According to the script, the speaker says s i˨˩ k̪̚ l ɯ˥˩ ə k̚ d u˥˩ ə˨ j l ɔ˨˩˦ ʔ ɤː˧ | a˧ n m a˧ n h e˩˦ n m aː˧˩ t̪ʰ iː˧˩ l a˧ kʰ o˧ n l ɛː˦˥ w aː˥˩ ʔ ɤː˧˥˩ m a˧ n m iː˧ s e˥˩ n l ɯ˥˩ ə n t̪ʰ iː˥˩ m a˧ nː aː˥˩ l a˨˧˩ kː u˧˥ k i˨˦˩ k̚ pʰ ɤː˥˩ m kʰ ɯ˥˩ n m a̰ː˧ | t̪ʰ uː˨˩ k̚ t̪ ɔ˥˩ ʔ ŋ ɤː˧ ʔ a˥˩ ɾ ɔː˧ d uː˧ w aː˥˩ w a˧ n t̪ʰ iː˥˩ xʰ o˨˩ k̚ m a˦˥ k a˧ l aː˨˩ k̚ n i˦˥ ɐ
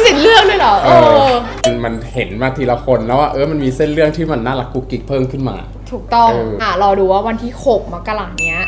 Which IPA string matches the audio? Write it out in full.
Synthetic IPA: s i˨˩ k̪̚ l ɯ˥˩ ə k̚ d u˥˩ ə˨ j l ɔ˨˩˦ ʔ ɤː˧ | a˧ n m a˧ n h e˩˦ n m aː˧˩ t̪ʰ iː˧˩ l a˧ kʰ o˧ n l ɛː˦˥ w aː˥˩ ʔ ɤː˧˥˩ m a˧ n m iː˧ s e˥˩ n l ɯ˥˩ ə ŋ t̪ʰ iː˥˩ m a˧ nː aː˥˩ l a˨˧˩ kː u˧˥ k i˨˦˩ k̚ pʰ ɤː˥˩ m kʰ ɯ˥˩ n m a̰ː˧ | t̪ʰ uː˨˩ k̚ t̪ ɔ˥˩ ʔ ŋ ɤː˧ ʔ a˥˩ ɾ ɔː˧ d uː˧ w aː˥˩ w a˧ n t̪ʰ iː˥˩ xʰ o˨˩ k̚ m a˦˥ k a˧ l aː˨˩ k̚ n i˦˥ ɐ

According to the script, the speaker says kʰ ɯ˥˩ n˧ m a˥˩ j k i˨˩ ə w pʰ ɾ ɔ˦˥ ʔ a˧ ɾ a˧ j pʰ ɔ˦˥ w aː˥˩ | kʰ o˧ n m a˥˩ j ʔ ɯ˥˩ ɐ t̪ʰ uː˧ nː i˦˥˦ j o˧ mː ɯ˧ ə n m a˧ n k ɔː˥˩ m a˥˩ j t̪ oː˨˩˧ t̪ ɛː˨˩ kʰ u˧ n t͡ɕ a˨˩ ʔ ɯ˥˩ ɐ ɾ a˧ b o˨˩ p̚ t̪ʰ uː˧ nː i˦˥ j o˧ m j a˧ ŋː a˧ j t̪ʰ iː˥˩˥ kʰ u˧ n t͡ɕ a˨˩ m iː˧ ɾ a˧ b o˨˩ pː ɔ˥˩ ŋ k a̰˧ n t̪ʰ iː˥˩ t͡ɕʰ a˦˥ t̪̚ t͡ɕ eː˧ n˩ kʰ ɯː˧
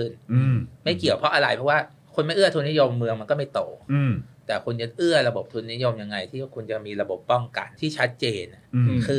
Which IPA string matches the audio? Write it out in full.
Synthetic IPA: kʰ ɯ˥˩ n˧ m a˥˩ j k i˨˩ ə w pʰ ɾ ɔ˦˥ ʔ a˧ ɾ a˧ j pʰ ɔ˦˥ w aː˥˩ | kʰ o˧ n m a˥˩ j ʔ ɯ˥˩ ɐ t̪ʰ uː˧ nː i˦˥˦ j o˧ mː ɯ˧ ə ŋ m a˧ n k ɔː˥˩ m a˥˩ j t̪ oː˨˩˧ t̪ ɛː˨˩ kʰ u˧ n t͡ɕ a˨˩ ʔ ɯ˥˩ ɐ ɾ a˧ b o˨˩ p̚ t̪ʰ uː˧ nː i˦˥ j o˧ m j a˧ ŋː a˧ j t̪ʰ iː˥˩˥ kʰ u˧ n t͡ɕ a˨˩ m iː˧ ɾ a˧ b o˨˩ pː ɔ˥˩ ŋ k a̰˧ n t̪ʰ iː˥˩ t͡ɕʰ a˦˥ t̪̚ t͡ɕ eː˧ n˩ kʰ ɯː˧

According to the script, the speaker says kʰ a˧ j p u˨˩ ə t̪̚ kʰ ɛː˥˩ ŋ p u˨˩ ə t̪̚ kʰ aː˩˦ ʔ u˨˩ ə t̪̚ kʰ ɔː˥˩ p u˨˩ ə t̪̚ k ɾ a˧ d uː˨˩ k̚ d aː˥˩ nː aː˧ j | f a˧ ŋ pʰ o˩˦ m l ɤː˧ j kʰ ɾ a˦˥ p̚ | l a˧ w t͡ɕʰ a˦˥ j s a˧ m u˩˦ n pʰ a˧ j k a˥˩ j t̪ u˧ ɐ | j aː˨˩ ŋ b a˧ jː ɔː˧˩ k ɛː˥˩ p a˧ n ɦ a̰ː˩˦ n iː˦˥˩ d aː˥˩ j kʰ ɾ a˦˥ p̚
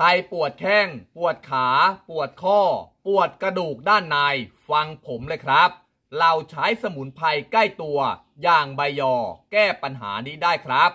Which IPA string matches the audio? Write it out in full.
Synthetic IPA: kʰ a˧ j p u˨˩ ə t̪̚ kʰ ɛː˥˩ ŋ p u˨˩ ə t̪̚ kʰ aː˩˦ p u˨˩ ə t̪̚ kʰ ɔː˥˩ p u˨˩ ə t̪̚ k ɾ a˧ d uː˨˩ k̚ d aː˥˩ nː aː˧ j | f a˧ ŋ pʰ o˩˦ m l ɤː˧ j kʰ ɾ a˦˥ p̚ | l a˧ w t͡ɕʰ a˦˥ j s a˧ m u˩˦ n pʰ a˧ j k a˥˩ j t̪ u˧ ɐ | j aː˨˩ ŋ b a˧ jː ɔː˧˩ k ɛː˥˩ p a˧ n ɦ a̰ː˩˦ n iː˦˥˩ d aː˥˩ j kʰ ɾ a˦˥ p̚

